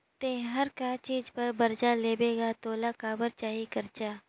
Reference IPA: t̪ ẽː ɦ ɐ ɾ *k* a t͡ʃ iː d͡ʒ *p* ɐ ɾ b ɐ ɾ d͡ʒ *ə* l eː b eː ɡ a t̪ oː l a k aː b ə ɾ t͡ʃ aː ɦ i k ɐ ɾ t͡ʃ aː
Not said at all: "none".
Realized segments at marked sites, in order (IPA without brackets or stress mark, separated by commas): k, p, a